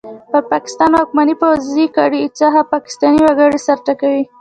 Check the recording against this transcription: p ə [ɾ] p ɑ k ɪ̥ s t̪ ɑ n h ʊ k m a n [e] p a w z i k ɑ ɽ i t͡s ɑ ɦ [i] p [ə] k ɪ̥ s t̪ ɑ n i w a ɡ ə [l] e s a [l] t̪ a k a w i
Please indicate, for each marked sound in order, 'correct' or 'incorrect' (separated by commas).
correct, incorrect, incorrect, incorrect, incorrect, incorrect